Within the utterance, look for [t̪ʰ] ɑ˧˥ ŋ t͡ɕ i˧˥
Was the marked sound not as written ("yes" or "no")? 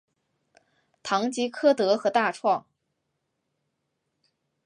no